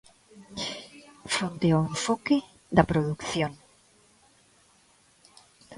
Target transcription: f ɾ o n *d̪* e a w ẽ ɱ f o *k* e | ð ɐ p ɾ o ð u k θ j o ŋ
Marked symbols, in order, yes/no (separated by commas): no, yes